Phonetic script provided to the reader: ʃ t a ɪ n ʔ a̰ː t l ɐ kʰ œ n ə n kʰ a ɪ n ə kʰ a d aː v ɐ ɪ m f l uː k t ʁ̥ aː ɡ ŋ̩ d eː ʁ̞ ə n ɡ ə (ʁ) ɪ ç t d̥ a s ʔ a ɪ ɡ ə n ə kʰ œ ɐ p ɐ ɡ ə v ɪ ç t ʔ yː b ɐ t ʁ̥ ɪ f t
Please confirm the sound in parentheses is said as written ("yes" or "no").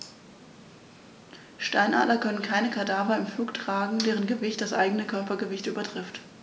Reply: no